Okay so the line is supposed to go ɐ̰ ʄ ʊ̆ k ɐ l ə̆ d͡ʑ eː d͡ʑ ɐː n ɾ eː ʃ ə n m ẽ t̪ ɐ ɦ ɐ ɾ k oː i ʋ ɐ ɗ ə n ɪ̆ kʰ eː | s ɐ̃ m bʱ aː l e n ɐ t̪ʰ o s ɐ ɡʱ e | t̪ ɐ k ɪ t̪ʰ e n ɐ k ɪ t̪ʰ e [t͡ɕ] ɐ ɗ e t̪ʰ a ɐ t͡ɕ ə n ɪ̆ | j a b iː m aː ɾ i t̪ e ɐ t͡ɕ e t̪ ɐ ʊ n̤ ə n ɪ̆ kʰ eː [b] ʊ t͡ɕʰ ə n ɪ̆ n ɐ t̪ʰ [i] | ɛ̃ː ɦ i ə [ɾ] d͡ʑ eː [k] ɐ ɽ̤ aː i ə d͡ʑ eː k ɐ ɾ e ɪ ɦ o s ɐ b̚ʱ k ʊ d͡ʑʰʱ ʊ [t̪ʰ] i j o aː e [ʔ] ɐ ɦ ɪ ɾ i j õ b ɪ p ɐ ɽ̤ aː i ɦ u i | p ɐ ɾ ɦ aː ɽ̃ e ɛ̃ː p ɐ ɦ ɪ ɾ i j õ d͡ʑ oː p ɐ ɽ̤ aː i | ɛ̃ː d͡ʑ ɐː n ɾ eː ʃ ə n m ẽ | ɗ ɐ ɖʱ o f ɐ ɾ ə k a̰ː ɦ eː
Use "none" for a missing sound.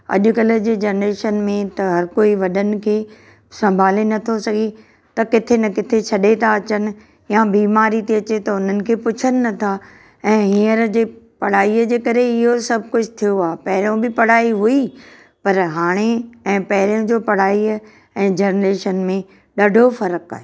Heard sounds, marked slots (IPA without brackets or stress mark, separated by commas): t͡ɕʰ, p, a, ɾ, p, t̪ʰ, p